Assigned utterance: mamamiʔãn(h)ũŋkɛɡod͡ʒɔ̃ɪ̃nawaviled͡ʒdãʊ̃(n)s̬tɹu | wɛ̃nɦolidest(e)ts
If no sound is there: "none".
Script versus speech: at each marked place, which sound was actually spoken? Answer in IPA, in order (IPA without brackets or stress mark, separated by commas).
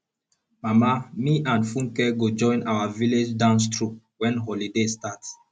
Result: f, n, a